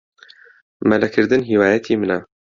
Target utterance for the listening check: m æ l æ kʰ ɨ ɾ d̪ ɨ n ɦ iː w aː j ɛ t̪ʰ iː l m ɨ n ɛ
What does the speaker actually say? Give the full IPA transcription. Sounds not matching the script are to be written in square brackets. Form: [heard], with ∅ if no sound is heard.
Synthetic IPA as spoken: m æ l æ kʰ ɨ ɾ d̪ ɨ n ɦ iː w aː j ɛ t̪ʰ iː [∅] m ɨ n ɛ